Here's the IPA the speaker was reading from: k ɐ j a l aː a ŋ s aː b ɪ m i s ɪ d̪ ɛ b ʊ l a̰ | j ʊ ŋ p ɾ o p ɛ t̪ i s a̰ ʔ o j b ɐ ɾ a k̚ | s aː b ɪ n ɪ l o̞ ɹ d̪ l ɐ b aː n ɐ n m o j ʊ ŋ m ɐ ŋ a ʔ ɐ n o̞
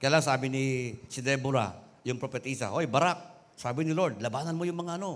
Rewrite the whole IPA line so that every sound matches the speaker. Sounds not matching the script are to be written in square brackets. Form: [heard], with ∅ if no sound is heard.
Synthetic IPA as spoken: k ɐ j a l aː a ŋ s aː b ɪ [n] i s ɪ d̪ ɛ b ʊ [ɾ] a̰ | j ʊ ŋ p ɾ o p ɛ t̪ i s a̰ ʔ o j b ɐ ɾ a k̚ | s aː b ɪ n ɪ l o̞ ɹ d̪ l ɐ b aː n ɐ n m o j ʊ ŋ m ɐ ŋ a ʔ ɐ n o̞